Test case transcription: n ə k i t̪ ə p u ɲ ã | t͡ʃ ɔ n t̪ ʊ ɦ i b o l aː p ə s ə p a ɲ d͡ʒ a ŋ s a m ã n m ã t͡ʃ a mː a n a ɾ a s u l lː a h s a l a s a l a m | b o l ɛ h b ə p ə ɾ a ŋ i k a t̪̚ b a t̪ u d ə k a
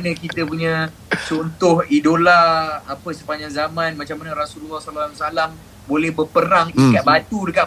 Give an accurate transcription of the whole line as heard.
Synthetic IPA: n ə k i t̪ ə p u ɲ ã | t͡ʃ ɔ n t̪ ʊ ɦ i d o l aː p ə s ə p a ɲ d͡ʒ a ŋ z a m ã n m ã t͡ʃ a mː a n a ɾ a s u l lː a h s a l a s a l a m | b o l ɛ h b ə p ə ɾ a ŋ i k a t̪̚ b a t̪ u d ə k a